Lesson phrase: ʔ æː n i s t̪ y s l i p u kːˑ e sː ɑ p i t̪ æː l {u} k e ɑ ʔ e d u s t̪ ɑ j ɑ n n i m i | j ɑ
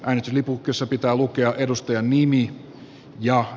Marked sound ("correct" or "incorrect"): correct